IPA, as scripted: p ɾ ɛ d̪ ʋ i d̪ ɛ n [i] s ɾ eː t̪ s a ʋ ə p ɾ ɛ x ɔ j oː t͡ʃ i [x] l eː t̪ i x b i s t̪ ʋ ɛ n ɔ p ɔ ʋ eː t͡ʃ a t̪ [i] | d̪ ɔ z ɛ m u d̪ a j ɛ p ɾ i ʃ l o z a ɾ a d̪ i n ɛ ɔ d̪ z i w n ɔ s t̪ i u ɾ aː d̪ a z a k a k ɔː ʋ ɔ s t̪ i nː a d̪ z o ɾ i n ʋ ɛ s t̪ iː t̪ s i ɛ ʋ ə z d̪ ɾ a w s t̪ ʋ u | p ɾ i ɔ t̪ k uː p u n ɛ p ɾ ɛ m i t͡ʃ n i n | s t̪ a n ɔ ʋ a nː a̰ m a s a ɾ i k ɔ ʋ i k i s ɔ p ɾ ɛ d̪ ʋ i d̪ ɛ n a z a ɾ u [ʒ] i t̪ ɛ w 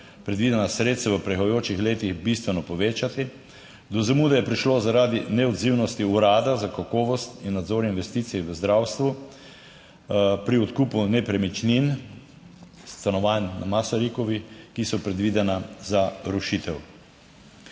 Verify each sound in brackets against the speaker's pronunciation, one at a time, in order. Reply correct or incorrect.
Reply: incorrect: a, correct, correct, incorrect: ʃ

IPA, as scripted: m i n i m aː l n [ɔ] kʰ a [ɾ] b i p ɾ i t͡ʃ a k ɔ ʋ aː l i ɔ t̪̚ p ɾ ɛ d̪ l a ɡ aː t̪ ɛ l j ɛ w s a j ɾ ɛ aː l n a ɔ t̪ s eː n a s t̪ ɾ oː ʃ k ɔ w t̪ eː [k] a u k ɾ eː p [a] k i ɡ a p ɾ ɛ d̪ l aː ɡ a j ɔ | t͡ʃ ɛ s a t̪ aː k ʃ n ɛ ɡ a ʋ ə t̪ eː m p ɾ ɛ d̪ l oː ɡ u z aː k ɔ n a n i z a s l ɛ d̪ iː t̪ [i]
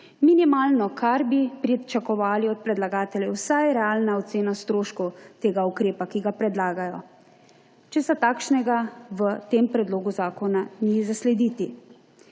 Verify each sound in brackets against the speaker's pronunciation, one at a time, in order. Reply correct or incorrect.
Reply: correct, correct, incorrect: ɡ, correct, correct

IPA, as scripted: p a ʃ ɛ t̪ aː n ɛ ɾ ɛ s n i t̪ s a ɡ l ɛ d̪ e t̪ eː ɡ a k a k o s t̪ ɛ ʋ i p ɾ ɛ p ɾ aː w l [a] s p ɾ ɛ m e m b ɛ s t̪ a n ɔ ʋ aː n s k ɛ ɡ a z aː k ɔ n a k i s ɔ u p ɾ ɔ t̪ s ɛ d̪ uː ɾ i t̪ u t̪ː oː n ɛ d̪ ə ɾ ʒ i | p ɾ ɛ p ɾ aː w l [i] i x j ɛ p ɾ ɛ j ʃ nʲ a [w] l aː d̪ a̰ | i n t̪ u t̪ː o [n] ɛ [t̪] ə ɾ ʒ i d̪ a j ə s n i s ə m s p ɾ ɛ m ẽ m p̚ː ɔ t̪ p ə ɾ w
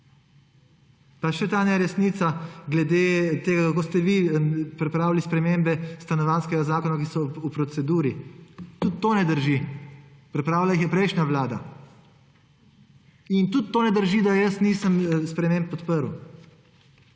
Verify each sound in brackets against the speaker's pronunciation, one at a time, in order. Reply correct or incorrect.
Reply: incorrect: i, incorrect: a, incorrect: ʋ, correct, incorrect: d̪

